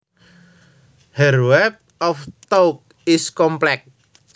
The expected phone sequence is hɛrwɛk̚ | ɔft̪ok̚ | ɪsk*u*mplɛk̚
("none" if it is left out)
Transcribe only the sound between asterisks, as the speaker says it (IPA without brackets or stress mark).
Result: ɔ